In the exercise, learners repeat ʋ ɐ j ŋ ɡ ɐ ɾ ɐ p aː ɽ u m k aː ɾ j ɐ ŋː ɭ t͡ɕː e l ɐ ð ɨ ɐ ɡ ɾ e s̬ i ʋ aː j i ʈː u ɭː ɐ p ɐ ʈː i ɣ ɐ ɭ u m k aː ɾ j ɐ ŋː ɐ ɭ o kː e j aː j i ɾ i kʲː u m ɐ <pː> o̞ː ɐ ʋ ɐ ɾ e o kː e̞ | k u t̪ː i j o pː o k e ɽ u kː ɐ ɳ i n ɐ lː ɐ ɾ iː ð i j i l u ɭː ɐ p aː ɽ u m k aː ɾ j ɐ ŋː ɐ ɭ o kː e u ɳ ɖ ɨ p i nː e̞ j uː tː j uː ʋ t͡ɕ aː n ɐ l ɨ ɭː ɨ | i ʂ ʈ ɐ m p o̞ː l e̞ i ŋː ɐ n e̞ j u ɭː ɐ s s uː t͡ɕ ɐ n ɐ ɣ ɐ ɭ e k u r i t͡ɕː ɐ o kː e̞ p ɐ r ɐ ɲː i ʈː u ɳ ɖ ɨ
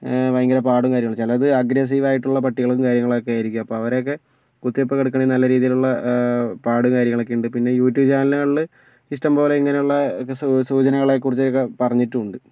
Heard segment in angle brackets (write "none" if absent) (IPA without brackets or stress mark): pː